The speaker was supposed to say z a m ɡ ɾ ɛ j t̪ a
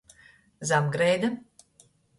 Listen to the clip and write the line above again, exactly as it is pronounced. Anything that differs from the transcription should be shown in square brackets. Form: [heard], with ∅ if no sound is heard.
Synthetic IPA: z a m ɡ ɾ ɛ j [d̪] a